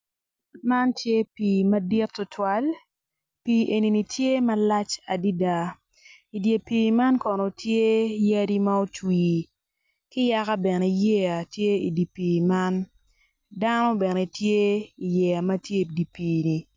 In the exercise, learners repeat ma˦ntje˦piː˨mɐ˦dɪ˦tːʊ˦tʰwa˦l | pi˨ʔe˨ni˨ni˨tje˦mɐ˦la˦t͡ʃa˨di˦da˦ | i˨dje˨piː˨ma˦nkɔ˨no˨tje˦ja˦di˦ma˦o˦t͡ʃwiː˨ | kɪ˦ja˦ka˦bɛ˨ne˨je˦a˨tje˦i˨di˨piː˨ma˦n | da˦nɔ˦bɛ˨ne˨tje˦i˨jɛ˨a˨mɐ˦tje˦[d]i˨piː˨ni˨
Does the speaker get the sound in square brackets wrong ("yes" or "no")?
no